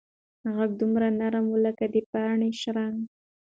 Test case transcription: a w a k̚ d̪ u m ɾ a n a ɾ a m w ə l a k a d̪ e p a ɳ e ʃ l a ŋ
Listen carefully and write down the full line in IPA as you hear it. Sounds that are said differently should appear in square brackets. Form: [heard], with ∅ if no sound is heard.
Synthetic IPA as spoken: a [ɣ] a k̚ d̪ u m ɾ a n a ɾ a m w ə l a k a d̪ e p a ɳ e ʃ [ɾ] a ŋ